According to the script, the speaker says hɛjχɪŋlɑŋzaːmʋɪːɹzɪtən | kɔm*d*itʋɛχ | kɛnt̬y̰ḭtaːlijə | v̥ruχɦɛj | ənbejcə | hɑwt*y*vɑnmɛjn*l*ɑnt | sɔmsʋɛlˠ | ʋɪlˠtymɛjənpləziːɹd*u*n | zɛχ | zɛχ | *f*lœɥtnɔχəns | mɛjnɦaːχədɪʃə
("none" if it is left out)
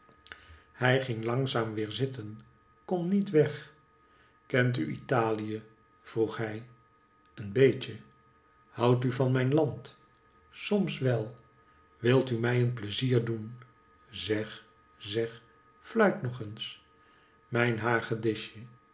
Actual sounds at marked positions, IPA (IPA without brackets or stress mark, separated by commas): n, y, l, u, f